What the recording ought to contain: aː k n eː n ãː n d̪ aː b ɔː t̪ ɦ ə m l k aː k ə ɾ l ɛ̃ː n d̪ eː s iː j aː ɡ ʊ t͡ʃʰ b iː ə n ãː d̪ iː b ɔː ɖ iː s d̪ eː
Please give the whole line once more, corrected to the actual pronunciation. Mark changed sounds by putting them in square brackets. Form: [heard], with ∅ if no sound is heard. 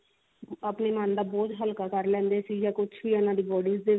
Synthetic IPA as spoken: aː [p] n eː [m] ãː n d̪ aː b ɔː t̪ ɦ ə [∅] l k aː k ə ɾ l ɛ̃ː n d̪ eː s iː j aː [k] ʊ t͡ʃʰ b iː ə n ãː d̪ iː b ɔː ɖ iː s d̪ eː